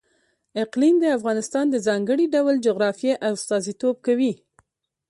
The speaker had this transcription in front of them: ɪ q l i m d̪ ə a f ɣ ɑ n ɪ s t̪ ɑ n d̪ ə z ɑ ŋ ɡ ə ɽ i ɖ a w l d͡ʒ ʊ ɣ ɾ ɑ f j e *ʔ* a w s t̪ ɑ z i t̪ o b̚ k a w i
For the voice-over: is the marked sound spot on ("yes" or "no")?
yes